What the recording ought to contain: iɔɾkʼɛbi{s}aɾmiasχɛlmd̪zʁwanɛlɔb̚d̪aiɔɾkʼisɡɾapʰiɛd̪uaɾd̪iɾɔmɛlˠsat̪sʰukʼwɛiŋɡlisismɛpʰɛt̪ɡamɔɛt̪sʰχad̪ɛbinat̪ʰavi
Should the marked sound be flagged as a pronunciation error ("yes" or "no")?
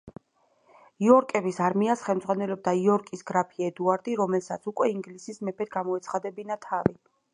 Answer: no